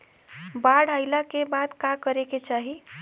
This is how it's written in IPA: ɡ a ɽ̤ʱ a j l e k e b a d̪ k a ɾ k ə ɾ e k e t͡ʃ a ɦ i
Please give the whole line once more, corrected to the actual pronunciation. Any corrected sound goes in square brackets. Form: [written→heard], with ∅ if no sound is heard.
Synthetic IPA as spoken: [ɡ→b] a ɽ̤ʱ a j l [e→a] k e b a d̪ k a [ɾ→∅] k ə ɾ e k e t͡ʃ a ɦ i